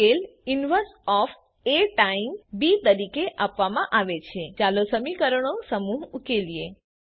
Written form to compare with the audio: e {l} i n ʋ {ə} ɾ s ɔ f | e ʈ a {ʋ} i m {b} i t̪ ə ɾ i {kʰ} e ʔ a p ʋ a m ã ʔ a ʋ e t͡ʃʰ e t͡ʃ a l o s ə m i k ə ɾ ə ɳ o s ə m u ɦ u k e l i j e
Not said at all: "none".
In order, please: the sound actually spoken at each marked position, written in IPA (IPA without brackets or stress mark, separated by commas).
l, ə, none, b, k